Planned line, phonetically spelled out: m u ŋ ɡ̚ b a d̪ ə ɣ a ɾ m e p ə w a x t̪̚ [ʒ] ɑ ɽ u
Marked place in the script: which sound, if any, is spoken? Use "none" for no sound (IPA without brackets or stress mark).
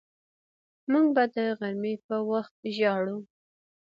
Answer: ʒ